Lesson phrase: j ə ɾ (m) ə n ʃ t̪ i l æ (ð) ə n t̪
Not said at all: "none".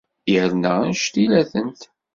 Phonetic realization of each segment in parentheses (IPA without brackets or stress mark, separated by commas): n, θ